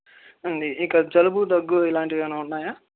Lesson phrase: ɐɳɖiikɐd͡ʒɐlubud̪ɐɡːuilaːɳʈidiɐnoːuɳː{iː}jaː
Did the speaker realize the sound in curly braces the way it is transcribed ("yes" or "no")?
no